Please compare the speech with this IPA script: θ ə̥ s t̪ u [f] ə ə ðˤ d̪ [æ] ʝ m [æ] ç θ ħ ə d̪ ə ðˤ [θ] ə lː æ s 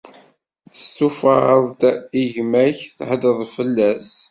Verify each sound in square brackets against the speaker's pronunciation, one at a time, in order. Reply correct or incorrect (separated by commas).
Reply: correct, incorrect, correct, incorrect